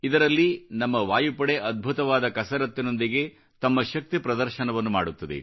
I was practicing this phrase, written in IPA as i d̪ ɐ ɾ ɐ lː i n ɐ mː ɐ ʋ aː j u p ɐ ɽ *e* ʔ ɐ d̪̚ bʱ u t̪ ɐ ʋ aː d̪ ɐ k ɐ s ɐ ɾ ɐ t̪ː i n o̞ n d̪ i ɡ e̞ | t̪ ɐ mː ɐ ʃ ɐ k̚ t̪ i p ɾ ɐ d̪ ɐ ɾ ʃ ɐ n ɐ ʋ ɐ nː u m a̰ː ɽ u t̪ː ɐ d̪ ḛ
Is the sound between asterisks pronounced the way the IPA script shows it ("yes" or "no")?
yes